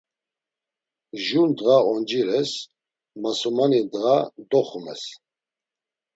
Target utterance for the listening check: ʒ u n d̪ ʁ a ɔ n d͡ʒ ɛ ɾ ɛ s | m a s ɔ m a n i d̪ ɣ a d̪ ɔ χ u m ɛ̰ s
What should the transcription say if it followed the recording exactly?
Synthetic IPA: ʒ u n d̪ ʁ a ɔ n d͡ʒ i ɾ ɛ s | m a s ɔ m a n i d̪ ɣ a d̪ ɔ χ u m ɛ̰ s

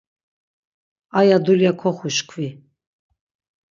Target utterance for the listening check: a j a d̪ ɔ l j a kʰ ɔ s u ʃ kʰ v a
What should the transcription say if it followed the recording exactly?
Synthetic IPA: a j a d̪ u l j a kʰ ɔ χ u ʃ kʰ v i

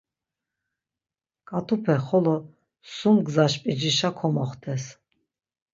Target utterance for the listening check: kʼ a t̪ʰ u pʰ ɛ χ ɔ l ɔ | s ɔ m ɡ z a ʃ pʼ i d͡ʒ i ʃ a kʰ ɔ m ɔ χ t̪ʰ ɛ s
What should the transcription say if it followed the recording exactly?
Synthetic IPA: kʼ a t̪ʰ u pʰ ɛ χ ɔ l ɔ | s u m ɡ z a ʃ pʼ i d͡ʒ i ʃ a kʰ ɔ m ɔ χ t̪ʰ ɛ s

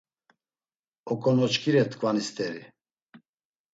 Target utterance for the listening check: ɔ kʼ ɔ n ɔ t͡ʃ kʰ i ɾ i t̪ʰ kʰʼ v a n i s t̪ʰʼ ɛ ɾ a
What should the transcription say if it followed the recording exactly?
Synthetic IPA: ɔ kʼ ɔ n ɔ t͡ʃ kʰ i ɾ ɛ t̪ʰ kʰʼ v a n i s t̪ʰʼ ɛ ɾ i

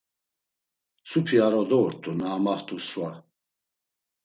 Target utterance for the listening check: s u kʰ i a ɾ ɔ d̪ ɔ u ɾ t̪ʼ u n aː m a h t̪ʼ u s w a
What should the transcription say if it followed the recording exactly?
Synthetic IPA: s u pʰ i a ɾ ɔ d̪ ɔ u ɾ t̪ʼ u n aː m a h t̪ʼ u s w a

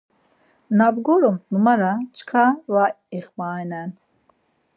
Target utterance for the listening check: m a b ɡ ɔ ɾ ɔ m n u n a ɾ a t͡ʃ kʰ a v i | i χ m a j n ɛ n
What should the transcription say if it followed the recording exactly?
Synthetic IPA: n a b ɡ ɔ ɾ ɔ m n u m a ɾ a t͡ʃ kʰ a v a | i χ m a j n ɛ n

